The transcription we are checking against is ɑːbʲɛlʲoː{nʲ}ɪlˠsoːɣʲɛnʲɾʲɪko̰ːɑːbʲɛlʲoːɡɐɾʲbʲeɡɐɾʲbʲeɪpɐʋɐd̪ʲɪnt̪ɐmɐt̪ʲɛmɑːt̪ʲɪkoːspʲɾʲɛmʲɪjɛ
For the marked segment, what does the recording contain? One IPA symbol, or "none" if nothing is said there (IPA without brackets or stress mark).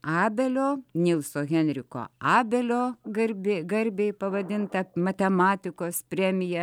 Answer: nʲ